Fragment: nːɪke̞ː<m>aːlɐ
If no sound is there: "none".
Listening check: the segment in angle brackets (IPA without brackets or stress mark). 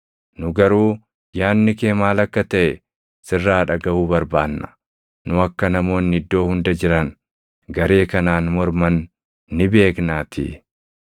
m